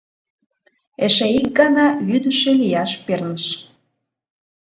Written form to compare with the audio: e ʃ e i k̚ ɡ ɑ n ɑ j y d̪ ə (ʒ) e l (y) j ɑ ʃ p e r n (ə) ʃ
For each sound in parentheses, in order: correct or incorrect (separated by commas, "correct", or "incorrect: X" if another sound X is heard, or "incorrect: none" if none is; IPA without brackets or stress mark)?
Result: incorrect: ʃ, incorrect: i, correct